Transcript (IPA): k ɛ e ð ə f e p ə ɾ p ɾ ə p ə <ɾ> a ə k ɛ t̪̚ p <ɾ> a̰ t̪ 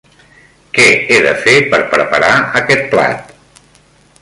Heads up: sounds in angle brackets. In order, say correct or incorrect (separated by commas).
correct, incorrect